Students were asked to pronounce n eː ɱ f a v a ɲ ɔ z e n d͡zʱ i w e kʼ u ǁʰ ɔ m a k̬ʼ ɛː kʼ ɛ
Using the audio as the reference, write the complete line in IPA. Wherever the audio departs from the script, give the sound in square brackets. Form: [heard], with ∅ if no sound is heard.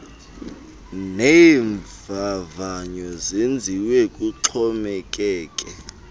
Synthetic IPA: n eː ɱ [v] a v a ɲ ɔ z e n d͡zʱ i w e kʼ u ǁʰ ɔ m [ɛ] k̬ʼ ɛː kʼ ɛ